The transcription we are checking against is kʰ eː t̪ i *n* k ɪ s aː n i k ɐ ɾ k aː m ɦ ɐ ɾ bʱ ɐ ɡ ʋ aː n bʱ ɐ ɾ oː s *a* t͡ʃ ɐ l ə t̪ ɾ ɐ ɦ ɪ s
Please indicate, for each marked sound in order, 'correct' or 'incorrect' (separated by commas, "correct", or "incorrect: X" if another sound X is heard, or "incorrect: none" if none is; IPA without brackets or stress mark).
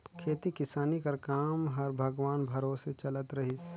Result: incorrect: none, incorrect: e